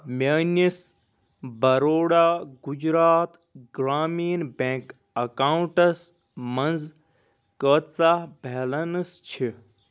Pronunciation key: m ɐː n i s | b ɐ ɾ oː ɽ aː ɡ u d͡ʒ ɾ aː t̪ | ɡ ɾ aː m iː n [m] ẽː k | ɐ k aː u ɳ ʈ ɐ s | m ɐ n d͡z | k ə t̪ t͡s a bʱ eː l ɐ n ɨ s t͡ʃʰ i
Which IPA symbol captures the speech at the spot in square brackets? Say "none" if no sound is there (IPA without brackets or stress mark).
b